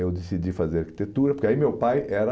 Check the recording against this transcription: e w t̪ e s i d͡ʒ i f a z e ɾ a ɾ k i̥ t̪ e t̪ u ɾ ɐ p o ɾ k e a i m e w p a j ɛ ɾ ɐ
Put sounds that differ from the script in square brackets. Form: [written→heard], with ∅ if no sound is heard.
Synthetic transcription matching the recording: e w [t̪→d̪] e s i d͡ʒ i f a z e ɾ a ɾ k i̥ t̪ e t̪ u ɾ ɐ p o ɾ k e a i m e w p a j ɛ ɾ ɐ